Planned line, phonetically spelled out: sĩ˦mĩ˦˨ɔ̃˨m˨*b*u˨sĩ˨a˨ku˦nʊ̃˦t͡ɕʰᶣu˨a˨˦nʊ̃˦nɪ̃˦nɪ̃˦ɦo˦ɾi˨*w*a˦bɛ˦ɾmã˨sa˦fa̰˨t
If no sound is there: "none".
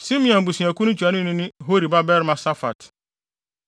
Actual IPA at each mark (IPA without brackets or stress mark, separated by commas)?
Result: b, b